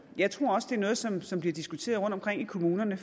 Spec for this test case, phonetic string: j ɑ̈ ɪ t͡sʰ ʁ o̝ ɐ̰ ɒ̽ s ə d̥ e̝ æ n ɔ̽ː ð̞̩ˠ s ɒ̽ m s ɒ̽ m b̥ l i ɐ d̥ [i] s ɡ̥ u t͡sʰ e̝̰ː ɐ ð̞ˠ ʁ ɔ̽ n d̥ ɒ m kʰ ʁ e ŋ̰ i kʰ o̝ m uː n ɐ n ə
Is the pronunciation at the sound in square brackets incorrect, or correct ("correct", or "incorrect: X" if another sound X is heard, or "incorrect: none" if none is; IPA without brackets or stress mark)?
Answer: correct